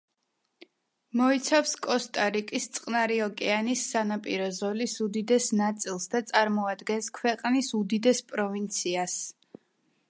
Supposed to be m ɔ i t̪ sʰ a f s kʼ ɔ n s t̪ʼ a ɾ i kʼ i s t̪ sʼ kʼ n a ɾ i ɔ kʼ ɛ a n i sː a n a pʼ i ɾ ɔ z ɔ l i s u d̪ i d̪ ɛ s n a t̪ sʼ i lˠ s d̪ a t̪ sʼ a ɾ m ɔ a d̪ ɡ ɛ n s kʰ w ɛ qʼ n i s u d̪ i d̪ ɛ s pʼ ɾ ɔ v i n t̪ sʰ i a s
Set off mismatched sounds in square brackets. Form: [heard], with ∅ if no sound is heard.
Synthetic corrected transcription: m ɔ i t̪ sʰ a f s kʼ ɔ [∅] s t̪ʼ a ɾ i kʼ i s t̪ sʼ [qʼ] n a ɾ i ɔ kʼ ɛ a n i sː a n a pʼ i ɾ ɔ z ɔ l i s u d̪ i d̪ ɛ s n a t̪ sʼ i lˠ s d̪ a t̪ sʼ a ɾ m ɔ a d̪ ɡ ɛ n s kʰ w ɛ qʼ n i s u d̪ i d̪ ɛ s pʼ ɾ ɔ v i n t̪ sʰ i a s